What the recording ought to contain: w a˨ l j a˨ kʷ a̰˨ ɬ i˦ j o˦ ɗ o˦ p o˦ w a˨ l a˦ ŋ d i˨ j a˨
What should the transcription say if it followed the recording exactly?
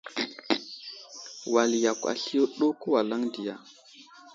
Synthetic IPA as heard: w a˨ l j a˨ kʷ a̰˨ ɬ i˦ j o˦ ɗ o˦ k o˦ w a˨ l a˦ ŋ d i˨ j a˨